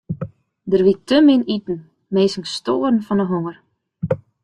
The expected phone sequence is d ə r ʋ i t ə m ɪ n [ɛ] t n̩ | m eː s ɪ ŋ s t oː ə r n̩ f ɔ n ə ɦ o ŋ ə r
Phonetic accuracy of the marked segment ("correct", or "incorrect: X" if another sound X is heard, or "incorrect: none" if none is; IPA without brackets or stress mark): incorrect: i